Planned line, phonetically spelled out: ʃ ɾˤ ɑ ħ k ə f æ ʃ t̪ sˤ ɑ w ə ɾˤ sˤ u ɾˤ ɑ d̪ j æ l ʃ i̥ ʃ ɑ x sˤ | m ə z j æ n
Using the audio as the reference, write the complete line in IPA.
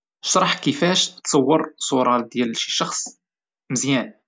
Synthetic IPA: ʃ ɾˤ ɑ ħ k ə f æ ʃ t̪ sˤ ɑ wː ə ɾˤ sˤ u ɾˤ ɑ d̪ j æ l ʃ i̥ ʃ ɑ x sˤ | m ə z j æ n